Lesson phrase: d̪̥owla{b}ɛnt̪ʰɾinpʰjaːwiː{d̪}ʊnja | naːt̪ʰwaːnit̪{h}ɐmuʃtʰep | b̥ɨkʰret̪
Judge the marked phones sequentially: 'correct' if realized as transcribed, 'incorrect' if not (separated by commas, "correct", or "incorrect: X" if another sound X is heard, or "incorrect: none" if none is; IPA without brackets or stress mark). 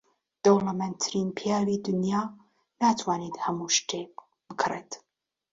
incorrect: m, correct, correct